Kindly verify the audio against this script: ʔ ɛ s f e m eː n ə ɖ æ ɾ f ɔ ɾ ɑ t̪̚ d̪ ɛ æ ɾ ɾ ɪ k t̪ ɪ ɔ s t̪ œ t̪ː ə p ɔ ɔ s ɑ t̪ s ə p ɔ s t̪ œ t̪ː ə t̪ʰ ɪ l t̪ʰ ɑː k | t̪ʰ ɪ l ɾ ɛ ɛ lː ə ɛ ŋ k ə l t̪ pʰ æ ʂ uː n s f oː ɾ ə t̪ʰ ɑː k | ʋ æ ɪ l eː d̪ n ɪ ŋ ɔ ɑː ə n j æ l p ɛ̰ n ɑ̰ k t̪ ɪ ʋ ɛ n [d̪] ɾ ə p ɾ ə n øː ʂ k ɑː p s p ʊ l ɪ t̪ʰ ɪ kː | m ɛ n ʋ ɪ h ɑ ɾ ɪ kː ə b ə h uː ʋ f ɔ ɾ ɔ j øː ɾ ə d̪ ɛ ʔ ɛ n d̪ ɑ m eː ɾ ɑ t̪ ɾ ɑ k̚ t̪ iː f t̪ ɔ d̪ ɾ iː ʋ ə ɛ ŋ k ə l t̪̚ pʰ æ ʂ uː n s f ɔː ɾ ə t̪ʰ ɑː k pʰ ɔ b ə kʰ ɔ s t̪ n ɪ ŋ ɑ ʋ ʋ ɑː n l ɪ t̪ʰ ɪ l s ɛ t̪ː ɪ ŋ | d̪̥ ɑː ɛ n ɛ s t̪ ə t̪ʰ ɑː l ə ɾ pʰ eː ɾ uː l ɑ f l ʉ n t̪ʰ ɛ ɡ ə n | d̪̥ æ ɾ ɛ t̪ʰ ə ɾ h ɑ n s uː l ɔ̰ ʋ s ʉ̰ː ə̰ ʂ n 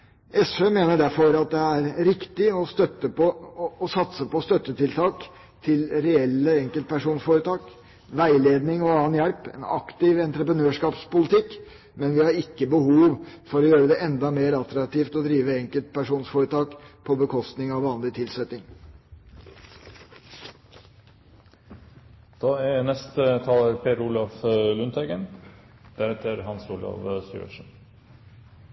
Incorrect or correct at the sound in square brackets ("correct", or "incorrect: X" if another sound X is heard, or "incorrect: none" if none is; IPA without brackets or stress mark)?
incorrect: t̪